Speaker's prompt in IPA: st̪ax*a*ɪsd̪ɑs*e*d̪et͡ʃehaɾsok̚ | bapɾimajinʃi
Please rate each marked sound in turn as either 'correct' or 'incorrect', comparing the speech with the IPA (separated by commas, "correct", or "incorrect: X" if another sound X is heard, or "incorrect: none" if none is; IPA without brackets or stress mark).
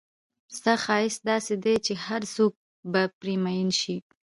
incorrect: ɑ, correct